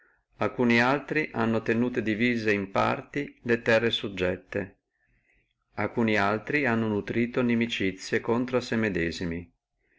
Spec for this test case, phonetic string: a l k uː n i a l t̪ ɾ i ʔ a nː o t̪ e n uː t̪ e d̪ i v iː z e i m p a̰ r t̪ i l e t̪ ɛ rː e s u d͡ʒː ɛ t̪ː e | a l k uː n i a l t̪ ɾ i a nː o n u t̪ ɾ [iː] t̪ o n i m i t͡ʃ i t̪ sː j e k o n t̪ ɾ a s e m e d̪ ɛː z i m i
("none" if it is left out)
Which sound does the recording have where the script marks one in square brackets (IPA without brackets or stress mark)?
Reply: iː